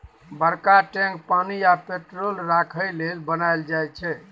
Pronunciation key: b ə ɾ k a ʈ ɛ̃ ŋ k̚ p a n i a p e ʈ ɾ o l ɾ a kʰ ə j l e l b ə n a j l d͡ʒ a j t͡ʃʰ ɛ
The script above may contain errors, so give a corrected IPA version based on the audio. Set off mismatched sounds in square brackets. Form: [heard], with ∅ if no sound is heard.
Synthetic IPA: b ə ɾ k a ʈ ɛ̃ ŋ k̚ p a n i a p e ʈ ɾ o l ɾ a kʰ ə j l e l b ə n a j l d͡ʒ a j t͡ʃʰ ɛ